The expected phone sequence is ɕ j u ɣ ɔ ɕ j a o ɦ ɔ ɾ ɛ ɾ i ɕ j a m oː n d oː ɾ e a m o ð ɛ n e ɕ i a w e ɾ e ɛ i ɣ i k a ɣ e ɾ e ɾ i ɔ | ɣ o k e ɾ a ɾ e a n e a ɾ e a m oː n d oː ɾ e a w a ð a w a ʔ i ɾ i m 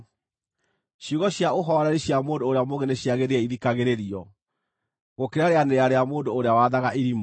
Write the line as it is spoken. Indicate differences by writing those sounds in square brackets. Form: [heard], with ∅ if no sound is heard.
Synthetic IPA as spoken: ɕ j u ɣ ɔ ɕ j a o ɦ ɔ ɾ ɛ ɾ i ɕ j a m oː n d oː ɾ e a m o [ɣ] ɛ n e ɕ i a [ɣ] e ɾ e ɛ i [ð] i k a ɣ e ɾ e ɾ i ɔ | ɣ o k e ɾ a ɾ e a n e a ɾ e a m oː n d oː ɾ e a w a ð a [ɣ] a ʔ i ɾ i m